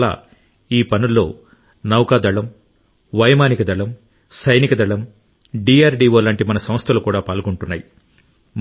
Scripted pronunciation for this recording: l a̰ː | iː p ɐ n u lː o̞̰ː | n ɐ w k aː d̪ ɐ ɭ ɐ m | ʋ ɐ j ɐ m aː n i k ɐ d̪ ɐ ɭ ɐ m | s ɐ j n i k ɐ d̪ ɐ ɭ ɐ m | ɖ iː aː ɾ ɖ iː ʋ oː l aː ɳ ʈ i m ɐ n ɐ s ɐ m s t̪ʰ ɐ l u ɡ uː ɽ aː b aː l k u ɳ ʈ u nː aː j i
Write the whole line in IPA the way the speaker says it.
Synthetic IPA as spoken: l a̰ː | iː p ɐ n u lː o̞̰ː | n ɐ w k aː d̪ ɐ ɭ ɐ m | ʋ ɐ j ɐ m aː n i k ɐ d̪ ɐ ɭ ɐ m | s ɐ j n i k ɐ d̪ ɐ ɭ ɐ m | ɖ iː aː ɾ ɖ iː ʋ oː l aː ɳ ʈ i m ɐ n ɐ s ɐ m s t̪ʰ ɐ l u k uː ɽ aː p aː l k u ɳ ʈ u nː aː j i